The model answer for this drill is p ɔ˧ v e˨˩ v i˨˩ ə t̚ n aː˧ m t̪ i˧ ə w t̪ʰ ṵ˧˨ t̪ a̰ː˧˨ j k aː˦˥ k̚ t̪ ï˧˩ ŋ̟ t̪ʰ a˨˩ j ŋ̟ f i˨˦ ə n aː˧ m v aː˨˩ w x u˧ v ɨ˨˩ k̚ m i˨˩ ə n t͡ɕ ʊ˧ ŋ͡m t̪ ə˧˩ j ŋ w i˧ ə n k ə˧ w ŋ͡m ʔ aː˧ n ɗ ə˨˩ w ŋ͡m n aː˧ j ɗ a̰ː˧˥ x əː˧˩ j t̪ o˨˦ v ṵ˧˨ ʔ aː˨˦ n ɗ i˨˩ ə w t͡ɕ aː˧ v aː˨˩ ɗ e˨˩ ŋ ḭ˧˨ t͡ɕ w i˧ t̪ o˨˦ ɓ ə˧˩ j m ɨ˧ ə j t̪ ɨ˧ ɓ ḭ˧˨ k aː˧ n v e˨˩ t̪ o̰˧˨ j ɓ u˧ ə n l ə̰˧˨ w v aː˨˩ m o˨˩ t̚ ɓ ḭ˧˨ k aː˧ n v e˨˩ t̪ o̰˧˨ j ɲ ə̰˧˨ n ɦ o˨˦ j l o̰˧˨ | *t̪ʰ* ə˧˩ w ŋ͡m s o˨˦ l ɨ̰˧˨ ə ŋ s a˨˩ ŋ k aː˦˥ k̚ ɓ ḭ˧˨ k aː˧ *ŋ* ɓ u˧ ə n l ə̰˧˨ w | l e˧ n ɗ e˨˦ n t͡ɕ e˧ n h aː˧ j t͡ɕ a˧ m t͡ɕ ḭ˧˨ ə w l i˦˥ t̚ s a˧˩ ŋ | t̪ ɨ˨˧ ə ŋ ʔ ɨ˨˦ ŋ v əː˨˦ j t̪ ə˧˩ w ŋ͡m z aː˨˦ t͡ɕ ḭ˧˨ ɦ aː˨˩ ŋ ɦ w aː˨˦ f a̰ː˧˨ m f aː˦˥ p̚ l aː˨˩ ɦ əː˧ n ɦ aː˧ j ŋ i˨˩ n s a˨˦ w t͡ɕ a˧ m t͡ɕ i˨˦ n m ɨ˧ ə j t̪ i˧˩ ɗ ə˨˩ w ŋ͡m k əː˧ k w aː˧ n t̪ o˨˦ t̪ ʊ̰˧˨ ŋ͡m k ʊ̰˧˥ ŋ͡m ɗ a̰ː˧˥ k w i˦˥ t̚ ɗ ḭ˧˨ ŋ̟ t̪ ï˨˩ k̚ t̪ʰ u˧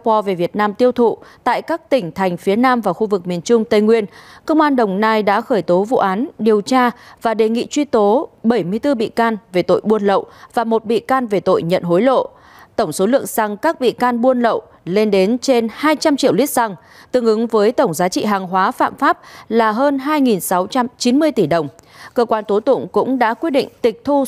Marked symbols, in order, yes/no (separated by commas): no, no